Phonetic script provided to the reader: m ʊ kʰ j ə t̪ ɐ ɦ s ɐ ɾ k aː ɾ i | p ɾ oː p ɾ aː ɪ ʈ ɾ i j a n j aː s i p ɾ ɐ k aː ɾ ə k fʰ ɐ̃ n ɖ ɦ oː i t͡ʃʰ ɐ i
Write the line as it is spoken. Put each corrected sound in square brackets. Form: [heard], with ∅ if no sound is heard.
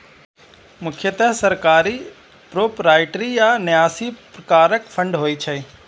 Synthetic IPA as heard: m ʊ kʰ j ə t̪ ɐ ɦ s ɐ ɾ k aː ɾ i | p ɾ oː p ɾ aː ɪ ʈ ɾ i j a n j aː s i p ɾ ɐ k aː ɾ ə k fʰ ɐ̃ [ɳ] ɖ ɦ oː i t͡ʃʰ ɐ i